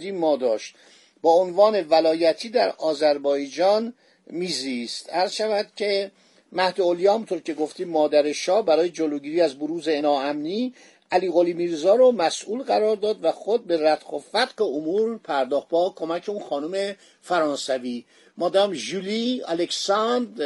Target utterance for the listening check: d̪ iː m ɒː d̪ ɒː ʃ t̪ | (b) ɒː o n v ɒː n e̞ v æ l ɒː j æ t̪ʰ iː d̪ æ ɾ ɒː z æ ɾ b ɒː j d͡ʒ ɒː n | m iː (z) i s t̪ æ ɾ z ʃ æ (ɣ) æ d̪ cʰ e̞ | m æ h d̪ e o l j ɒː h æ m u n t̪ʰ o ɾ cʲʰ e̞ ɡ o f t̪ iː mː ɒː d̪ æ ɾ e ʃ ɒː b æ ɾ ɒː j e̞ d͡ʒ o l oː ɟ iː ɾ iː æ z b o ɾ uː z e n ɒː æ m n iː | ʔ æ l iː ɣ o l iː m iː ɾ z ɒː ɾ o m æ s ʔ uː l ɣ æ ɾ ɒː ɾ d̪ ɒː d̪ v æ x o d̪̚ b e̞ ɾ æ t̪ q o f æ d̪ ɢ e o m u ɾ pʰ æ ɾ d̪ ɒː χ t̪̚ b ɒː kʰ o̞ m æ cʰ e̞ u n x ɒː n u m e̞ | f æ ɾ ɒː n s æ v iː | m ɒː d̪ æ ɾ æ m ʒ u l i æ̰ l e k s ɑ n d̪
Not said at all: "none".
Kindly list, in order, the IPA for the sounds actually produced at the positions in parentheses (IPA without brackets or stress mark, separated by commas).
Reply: b, z, v